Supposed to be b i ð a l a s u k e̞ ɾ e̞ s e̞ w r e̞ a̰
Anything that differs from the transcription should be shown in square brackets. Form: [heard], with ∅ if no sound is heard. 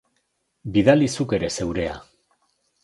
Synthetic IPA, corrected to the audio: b i ð a l [i] s u k e̞ ɾ e̞ s e̞ w [ɾ] e̞ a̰